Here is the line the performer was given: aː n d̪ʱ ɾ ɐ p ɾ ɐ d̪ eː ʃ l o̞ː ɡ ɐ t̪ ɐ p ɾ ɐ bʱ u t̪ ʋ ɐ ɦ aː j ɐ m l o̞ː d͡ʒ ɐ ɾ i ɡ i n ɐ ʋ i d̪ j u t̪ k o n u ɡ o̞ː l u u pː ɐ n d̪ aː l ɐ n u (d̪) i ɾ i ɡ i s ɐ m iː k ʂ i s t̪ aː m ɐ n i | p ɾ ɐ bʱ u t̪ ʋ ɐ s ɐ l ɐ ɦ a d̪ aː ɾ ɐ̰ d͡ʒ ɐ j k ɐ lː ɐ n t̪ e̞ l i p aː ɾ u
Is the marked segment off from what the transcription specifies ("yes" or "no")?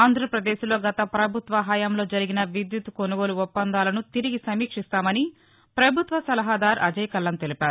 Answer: yes